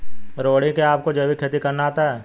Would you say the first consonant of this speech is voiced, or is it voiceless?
voiced